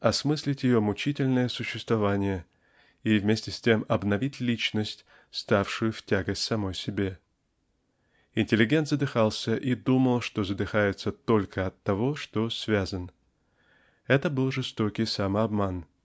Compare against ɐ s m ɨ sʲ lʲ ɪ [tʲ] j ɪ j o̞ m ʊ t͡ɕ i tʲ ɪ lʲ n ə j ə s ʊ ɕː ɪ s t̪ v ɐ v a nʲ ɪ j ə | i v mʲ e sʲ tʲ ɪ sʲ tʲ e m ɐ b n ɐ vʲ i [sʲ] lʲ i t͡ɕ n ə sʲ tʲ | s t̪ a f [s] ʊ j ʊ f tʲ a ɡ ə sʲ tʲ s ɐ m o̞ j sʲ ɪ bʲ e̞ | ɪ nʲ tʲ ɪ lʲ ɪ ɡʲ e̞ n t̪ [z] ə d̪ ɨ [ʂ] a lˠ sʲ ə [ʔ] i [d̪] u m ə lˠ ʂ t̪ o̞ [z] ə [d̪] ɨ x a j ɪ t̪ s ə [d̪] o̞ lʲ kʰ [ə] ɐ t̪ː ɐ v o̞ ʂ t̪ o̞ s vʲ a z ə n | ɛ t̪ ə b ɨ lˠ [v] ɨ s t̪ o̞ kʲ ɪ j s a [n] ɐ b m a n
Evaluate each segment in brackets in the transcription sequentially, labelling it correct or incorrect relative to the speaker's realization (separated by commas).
correct, incorrect, incorrect, correct, incorrect, correct, correct, correct, correct, incorrect, correct, incorrect, incorrect